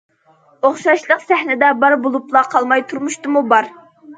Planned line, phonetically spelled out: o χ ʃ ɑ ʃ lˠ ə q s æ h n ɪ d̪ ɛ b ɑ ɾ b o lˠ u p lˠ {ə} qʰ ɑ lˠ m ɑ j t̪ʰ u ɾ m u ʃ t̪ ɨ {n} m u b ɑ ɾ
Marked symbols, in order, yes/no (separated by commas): no, no